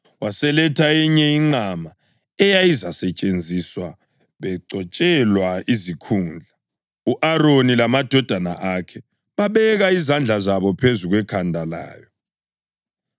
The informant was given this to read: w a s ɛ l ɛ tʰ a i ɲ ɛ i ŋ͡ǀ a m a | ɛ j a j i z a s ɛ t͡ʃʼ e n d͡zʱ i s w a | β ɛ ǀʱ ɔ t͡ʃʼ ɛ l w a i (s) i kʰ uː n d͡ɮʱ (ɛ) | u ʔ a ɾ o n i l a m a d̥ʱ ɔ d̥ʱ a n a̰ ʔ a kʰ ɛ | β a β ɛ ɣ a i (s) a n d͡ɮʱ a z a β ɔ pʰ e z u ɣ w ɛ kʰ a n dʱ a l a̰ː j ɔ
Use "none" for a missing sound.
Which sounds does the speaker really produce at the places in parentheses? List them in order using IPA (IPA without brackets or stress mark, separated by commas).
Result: z, a, z